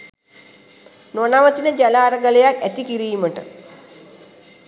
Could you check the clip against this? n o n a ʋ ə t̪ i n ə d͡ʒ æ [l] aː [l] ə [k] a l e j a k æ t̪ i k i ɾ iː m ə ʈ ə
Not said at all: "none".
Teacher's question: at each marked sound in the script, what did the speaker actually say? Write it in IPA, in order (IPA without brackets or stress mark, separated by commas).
l, ɾ, ɡ